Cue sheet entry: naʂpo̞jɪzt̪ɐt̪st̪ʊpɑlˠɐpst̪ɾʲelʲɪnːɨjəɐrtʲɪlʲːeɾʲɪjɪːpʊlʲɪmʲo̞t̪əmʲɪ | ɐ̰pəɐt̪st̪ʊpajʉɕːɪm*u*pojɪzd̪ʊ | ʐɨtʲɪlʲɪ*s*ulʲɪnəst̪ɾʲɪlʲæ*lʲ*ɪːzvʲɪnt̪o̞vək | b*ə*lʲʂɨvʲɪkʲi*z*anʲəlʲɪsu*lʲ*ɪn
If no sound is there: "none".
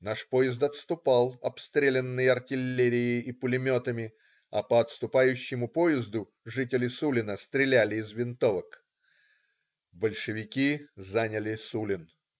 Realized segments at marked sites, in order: ʊ, s, lʲ, ə, z, lʲ

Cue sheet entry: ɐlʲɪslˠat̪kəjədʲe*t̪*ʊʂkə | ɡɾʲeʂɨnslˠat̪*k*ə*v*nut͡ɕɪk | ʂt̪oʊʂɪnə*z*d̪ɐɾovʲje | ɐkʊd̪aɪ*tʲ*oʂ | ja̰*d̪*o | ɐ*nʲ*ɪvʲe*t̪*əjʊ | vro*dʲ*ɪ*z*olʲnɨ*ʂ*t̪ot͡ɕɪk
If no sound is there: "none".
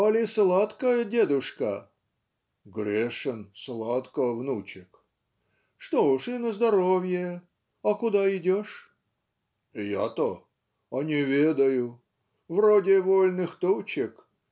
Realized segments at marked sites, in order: d̪, k, v, z, dʲ, t̪, nʲ, d̪, dʲ, v, x

